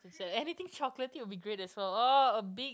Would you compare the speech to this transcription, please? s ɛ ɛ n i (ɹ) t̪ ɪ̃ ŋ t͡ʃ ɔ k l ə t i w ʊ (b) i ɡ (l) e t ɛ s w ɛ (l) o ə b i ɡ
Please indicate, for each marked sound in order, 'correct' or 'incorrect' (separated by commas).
incorrect, correct, incorrect, correct